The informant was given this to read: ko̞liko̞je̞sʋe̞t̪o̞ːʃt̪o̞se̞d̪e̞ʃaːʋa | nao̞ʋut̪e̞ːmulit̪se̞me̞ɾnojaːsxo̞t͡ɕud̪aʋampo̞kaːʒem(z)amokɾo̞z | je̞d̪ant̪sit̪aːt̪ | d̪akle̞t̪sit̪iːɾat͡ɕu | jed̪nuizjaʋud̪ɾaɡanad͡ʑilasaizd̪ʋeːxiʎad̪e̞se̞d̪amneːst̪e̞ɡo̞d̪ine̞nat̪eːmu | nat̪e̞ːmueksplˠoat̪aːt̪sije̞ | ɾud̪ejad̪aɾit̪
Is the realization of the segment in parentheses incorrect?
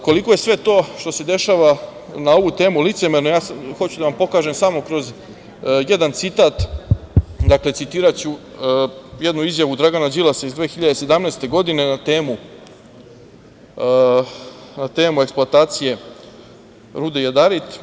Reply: yes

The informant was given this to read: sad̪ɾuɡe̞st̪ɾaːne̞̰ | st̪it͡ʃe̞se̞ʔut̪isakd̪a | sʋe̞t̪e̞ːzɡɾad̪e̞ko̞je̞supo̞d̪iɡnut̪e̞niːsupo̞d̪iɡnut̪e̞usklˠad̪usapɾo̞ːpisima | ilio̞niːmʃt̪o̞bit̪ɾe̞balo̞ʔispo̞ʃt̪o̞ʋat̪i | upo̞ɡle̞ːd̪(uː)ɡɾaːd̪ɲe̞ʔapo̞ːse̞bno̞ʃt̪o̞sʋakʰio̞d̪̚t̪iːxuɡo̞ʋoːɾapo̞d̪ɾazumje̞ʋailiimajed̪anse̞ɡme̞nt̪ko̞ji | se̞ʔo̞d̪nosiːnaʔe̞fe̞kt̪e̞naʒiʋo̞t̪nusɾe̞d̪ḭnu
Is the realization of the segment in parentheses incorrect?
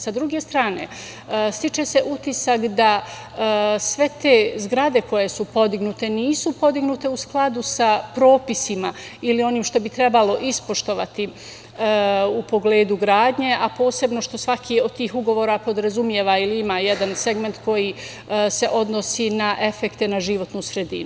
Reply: yes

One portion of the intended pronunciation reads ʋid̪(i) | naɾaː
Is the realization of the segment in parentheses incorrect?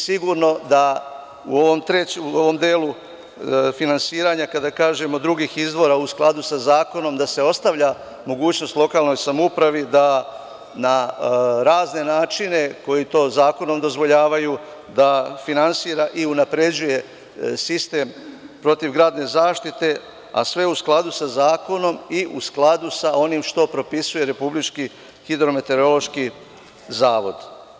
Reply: yes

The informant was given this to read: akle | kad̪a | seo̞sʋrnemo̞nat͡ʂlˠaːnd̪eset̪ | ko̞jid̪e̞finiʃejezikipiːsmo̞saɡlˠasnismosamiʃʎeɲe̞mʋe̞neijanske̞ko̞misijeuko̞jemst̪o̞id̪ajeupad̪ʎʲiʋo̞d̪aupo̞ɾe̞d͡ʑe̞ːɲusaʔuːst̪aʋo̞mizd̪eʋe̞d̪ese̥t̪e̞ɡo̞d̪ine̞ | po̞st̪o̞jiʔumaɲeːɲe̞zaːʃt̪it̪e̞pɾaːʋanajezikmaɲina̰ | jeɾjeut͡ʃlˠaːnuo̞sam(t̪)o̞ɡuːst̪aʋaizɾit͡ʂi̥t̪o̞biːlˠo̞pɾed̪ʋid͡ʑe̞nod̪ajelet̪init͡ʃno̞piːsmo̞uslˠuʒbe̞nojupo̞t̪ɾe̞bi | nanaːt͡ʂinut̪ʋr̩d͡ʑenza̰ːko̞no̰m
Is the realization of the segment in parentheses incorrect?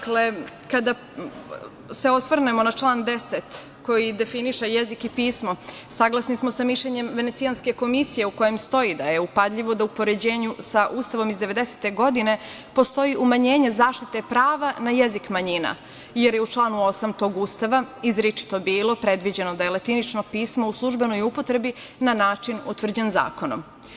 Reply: no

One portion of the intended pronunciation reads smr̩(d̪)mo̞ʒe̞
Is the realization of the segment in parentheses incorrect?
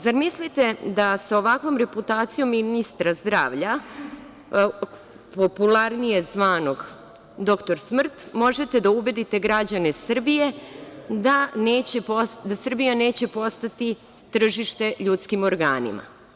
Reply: yes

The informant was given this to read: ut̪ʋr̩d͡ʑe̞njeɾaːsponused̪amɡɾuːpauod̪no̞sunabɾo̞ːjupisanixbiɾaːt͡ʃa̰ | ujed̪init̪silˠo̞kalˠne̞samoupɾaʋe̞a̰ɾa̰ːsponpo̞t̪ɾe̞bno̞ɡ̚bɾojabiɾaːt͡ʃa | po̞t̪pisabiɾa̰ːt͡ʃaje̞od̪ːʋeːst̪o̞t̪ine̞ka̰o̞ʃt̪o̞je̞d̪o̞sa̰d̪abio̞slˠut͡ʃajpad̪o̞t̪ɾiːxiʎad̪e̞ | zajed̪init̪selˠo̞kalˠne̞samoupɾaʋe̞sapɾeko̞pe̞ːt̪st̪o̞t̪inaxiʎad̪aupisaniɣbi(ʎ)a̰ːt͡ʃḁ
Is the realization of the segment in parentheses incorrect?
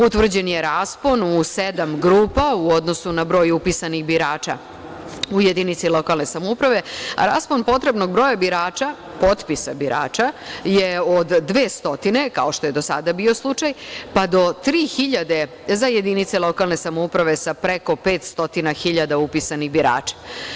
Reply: yes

